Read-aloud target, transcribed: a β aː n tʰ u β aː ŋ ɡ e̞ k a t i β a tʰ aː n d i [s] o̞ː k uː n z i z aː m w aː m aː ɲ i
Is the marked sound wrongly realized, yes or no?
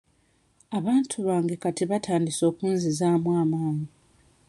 no